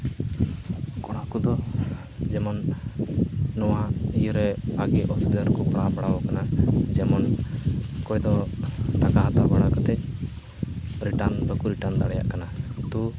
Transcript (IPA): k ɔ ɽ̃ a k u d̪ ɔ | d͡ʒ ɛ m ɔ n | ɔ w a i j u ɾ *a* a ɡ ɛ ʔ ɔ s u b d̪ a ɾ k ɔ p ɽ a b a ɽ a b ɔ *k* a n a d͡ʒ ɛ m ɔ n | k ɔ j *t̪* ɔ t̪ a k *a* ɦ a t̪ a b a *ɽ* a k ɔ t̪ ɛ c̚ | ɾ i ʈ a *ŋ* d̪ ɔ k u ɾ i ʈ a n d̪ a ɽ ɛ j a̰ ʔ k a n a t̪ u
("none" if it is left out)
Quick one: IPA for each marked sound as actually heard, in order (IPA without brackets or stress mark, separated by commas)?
ɛ, k, d̪, a, ɽ, n